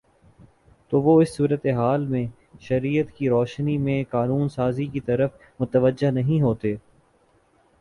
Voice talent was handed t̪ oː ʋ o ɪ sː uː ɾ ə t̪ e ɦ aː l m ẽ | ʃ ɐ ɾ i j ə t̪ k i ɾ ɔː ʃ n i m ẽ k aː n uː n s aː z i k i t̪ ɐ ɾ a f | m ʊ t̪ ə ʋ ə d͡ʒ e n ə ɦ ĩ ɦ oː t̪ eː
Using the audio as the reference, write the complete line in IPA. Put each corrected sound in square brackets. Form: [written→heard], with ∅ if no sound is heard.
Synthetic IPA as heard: t̪ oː ʋ o ɪ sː uː ɾ ə t̪ e ɦ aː l m ẽ | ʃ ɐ ɾ i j ə t̪ k i ɾ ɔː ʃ n i m ẽ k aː n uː n s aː z i k i t̪ ɐ ɾ [a→ə] f | m ʊ t̪ ə ʋ ə d͡ʒ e n [ə→ɐ] ɦ ĩ ɦ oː t̪ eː